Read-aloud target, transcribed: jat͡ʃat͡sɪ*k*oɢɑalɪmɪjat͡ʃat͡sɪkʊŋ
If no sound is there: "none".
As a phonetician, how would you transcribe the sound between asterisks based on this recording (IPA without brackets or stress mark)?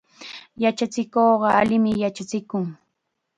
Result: k